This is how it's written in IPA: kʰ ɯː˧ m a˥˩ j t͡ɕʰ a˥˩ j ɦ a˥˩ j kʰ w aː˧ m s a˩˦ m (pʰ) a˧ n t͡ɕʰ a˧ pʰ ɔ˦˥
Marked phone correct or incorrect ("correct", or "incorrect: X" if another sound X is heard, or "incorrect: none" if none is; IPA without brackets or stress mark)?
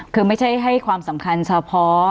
incorrect: kʰ